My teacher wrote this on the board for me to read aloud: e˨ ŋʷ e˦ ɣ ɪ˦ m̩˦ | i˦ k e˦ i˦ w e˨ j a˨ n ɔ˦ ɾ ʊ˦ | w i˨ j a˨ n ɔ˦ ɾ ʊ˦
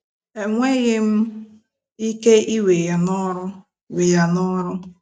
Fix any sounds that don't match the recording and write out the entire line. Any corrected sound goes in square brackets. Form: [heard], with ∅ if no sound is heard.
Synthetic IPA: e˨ ŋʷ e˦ ɣ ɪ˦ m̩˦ | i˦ k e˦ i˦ w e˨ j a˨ n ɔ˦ ɾ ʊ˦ | w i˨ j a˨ n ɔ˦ ɾ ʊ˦